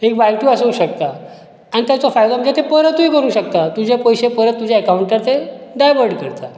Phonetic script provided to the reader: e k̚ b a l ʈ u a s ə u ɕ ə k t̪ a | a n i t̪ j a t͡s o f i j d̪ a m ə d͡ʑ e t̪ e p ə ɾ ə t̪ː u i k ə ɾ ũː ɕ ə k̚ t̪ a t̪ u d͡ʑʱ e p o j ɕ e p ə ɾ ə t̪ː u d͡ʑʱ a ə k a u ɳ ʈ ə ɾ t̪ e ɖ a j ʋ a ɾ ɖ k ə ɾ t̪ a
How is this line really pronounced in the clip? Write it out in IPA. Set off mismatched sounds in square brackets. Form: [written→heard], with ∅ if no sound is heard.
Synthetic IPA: e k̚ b a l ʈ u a s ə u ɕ ə k t̪ a | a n i t̪ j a t͡s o f [i→a] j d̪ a m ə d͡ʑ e t̪ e p ə ɾ ə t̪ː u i k ə ɾ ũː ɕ ə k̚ t̪ a t̪ u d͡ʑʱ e p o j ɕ e p ə ɾ ə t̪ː u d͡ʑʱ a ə k a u ɳ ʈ ə ɾ t̪ e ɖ a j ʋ [a→ə] ɾ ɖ k ə ɾ t̪ a